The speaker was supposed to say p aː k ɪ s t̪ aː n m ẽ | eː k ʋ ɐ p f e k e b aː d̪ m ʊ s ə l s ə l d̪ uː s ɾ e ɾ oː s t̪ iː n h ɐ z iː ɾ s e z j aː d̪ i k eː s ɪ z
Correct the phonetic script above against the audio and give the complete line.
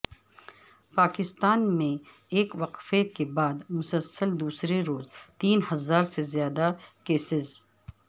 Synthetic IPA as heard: p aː k ɪ s t̪ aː n m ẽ | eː k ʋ ɐ q f e k e b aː d̪ m ʊ s ə l s ə l d̪ uː s ɾ e ɾ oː z t̪ iː n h ɐ z aː ɾ s e z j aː d̪ a k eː s ɪ z